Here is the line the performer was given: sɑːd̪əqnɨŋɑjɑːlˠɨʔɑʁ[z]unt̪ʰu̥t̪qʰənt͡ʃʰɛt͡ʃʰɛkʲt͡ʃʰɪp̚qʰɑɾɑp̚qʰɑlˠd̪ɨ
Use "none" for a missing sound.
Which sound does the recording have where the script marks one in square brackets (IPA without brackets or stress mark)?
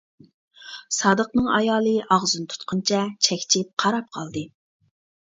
z